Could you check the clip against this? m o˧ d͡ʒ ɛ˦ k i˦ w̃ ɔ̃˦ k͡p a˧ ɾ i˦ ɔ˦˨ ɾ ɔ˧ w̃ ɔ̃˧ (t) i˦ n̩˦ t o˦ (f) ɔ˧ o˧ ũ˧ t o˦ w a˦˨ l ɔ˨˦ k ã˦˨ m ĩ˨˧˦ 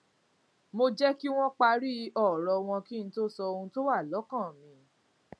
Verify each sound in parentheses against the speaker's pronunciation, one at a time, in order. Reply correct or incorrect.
incorrect: k, incorrect: s

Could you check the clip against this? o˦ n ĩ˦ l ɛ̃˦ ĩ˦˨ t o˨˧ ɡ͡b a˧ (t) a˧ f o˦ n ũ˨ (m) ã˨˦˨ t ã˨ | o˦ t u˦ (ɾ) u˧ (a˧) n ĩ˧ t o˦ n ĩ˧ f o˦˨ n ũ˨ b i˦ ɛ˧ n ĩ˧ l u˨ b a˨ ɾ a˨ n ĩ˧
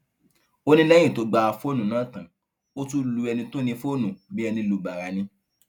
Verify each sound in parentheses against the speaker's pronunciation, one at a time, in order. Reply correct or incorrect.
incorrect: none, incorrect: n, incorrect: l, incorrect: ɛ˧

